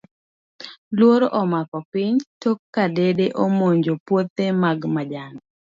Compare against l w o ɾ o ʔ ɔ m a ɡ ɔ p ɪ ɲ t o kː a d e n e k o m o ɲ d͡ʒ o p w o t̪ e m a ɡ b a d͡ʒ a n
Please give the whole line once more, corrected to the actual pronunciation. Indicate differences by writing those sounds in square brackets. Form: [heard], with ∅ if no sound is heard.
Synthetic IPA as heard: l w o ɾ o ʔ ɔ m a [k] ɔ p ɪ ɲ t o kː a d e [d] e [ʔ] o m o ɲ d͡ʒ o p w o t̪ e m a ɡ [m] a d͡ʒ a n